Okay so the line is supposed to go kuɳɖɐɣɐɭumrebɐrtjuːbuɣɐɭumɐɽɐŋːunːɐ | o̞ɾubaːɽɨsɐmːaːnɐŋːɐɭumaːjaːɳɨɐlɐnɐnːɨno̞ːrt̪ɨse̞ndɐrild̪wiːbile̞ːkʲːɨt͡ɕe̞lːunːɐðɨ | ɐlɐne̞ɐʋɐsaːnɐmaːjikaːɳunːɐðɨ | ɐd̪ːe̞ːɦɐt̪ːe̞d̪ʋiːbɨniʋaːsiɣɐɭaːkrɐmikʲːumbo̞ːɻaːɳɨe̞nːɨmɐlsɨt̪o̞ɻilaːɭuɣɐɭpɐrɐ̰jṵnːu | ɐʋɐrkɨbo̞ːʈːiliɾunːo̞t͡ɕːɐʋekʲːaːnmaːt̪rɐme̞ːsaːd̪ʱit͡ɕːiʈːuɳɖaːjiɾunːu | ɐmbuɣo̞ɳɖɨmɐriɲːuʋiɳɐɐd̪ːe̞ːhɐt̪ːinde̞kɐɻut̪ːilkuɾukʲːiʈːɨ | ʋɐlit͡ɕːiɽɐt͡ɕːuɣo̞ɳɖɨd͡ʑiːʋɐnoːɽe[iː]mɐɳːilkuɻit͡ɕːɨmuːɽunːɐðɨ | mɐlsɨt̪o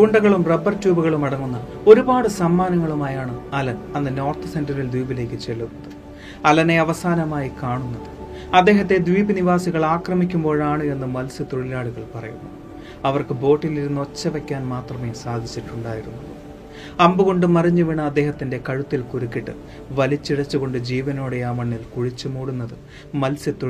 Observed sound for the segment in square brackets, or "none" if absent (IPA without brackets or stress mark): aː